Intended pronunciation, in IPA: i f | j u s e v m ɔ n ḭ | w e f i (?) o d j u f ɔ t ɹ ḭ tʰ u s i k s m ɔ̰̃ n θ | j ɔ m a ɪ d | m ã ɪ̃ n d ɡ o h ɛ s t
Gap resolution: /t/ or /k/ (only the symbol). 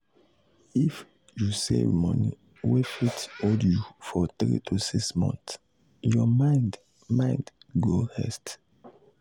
t